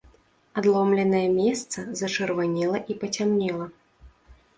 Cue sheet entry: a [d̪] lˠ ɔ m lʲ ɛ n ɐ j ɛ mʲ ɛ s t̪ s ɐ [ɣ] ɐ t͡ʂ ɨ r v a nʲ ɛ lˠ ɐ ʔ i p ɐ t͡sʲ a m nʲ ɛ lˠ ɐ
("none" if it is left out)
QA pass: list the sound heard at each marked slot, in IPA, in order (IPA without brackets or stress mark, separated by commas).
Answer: d̪, z